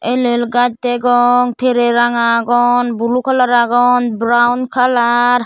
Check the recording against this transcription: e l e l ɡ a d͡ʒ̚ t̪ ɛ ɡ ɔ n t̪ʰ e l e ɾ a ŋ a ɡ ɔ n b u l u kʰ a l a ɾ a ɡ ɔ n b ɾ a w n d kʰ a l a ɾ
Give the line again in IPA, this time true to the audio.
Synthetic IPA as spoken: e l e l ɡ a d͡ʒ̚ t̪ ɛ ɡ ɔ ŋ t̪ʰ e ɾ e ɾ a ŋ a ɡ ɔ n b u l u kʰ a l a ɾ a ɡ ɔ n b ɾ a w n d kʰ a l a ɾ